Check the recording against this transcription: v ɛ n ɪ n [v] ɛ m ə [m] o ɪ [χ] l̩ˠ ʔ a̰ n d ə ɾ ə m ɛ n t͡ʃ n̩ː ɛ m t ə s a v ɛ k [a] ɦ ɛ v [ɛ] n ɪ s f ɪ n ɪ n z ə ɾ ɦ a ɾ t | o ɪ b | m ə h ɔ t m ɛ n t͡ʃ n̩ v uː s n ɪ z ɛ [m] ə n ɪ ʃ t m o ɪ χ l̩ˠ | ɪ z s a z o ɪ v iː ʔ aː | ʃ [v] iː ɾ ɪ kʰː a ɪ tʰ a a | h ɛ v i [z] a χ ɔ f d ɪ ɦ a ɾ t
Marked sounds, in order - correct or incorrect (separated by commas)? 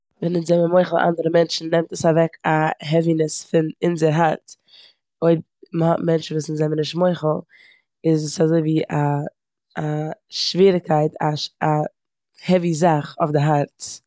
incorrect, correct, correct, correct, incorrect, correct, correct, correct